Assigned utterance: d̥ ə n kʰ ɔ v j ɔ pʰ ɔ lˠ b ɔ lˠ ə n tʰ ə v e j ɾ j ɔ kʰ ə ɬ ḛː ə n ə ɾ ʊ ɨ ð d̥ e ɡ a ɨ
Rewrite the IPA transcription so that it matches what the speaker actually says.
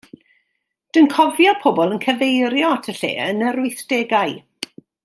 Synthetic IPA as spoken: d̥ ə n kʰ ɔ v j ɔ pʰ ɔ b ɔ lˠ ə n kʰ ə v e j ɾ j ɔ tʰ ə ɬ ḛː ə n ə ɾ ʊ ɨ θ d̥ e ɡ a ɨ